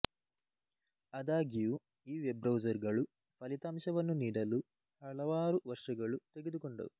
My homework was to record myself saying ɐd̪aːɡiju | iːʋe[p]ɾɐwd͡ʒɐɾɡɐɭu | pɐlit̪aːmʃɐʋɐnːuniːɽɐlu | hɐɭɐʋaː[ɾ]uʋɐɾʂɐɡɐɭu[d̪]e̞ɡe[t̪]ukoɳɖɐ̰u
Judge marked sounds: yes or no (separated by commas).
no, yes, no, no